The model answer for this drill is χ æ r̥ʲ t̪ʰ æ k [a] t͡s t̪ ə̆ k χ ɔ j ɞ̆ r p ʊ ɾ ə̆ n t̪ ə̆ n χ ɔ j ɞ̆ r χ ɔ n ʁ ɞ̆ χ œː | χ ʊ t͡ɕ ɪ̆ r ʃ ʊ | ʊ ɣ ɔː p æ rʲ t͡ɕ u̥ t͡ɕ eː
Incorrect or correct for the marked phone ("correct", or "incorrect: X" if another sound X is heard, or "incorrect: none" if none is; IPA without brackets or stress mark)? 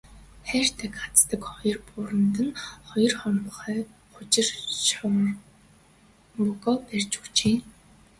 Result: correct